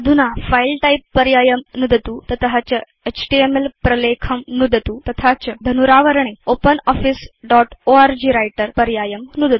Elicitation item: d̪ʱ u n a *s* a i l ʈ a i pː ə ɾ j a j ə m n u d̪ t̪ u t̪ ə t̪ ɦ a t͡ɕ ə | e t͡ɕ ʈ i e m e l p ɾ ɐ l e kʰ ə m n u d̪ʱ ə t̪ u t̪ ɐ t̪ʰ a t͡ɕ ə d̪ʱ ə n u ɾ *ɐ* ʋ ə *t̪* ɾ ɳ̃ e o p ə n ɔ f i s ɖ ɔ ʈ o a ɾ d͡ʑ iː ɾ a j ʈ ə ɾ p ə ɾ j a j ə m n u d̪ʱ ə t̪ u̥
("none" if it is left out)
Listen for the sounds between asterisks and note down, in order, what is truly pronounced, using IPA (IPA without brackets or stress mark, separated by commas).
f, a, none